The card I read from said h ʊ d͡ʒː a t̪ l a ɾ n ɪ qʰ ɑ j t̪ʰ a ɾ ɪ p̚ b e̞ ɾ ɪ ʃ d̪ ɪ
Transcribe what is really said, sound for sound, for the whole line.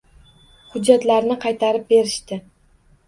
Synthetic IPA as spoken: h ʊ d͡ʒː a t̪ l a ɾ n ɪ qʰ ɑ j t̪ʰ a ɾ ɪ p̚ b e̞ ɾ ɪ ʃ t̪ ɪ

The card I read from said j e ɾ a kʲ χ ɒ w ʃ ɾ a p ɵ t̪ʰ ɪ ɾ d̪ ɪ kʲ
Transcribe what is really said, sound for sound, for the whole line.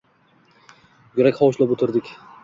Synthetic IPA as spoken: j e ɾ a kʲ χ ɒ w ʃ l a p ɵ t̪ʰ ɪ ɾ d̪ ɪ kʲ

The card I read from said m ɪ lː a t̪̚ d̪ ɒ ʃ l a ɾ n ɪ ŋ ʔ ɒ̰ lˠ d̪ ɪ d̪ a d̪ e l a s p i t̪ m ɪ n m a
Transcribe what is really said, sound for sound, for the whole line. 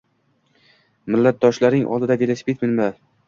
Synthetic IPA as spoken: m ɪ lː a t̪̚ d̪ ɒ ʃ l a ɾ n ɪ ŋ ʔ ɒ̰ lˠ d̪ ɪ d̪ a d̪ e l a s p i t̪ m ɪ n m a

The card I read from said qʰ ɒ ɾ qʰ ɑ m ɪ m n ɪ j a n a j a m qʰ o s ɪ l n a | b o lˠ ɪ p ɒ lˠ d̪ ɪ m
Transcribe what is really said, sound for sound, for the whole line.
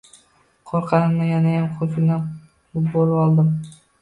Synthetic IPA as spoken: qʰ o ɾ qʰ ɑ n ɪ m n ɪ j a n a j a m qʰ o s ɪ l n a | b o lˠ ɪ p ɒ lˠ d̪ ɪ m

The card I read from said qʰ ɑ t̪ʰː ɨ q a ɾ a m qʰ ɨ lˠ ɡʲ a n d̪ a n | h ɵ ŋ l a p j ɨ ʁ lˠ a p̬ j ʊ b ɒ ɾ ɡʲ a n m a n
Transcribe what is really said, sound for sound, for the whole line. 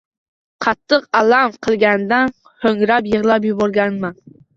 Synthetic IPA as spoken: qʰ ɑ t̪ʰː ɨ q a l a m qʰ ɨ lˠ ɡʲ a n d̪ a n | h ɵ ŋ ɾ a p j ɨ ʁ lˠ a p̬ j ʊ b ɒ ɾ ɡʲ a n m a n

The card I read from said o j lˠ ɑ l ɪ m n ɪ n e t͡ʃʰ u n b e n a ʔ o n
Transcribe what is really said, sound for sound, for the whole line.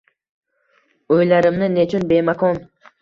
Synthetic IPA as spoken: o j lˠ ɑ ɾ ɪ m n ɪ n e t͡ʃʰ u n b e m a k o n

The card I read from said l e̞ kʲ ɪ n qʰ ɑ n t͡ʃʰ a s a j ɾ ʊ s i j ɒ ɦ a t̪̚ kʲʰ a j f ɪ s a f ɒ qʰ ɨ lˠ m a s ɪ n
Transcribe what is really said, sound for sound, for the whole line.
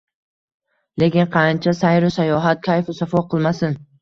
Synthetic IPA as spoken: l e̞ kʲ ɪ n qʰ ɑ n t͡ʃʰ a s a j ɾ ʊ s a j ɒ ɦ a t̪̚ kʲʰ a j f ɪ s a f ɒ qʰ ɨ lˠ m a s ɪ n

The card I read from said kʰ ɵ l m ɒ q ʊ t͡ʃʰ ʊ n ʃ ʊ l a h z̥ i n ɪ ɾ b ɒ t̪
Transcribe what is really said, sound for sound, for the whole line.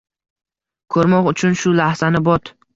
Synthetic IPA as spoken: kʰ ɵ ɾ m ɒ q ʊ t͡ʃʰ ʊ n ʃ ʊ l a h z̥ a n ɪ b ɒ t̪

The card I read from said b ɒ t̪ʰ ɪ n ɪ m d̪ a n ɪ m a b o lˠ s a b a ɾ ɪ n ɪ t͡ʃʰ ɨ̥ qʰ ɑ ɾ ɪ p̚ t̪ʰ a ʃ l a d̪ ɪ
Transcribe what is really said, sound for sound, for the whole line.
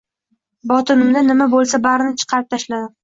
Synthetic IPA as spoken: b ɒ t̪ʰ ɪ n ɪ m d̪ a n ɪ m a b o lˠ s a b a ɾ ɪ n ɪ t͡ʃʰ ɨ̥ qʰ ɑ ɾ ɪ p̚ t̪ʰ a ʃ l a d̪ ɪ

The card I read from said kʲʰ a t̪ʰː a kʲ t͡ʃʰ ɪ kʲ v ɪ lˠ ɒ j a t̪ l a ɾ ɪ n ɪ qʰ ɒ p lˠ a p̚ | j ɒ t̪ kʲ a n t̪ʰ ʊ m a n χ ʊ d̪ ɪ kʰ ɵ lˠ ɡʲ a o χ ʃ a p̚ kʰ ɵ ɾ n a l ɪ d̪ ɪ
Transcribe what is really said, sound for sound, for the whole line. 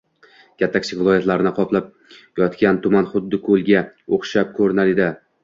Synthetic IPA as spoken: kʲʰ a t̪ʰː a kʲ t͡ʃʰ ɪ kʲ v ɪ lˠ ɒ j a t̪ l a ɾ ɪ n ɪ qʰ ɒ p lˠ a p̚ | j ɒ t̪ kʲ a n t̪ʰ ʊ m a n χ ʊ d̪ː ɪ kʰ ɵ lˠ ɡʲ a o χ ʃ a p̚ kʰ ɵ ɾ n a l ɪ d̪ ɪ

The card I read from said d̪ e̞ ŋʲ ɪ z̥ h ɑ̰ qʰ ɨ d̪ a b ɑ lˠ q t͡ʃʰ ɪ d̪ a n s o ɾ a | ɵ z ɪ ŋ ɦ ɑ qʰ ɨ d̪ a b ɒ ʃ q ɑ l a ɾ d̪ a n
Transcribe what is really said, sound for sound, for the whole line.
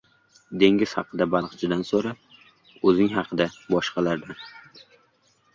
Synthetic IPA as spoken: d̪ e̞ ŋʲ ɪ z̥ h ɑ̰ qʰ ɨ d̪ a b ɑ lˠ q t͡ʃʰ ɪ d̪ a n s o ɾ a | ɵ z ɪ ŋ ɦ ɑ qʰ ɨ d̪ a b ɒ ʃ q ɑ l a ɾ d̪ a n

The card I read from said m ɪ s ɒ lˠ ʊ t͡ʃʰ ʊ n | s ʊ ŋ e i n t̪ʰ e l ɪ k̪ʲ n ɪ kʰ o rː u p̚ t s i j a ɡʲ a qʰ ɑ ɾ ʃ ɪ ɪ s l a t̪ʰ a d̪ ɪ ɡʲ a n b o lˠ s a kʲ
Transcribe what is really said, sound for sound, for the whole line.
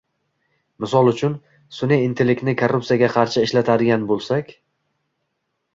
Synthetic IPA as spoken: m ɪ s ɒ lˠ ʊ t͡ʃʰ ʊ n | s ʊ n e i n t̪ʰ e l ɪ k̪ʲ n ɪ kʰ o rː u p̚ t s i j a ɡʲ a qʰ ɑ ɾ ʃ ɪ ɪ ʃ l a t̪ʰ a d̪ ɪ ɡʲ a n b o lˠ s a kʲ

